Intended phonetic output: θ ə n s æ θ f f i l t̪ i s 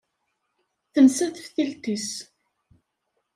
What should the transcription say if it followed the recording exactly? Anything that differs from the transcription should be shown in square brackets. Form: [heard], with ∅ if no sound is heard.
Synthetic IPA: θ ə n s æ θ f [θ] i l t̪ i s